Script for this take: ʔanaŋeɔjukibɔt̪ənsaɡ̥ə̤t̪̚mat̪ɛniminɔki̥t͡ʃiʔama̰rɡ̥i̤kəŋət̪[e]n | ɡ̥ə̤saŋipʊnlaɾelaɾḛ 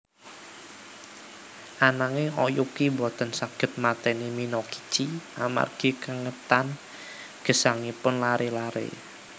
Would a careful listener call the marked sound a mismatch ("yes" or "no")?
yes